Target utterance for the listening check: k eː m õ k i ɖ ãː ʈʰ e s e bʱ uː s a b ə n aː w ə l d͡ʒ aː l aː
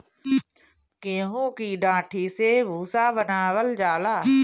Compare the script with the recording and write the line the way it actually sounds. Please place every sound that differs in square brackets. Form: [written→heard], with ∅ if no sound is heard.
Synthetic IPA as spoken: k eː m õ k i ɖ ãː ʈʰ [e→i] s e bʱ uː s a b ə n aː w ə l d͡ʒ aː l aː